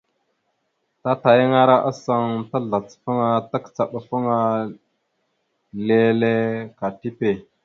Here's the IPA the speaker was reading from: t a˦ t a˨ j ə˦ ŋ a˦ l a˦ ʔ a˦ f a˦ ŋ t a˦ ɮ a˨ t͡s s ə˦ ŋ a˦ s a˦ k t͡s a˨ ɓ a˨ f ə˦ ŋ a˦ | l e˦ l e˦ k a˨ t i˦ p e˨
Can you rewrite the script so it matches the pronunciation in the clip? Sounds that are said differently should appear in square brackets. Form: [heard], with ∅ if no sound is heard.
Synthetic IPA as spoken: t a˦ t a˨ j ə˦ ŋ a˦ [ɾ] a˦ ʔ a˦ [s] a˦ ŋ t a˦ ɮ a˨ t͡s [f] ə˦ ŋ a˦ [t] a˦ k t͡s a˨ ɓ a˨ f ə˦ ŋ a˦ | l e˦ l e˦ k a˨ t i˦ p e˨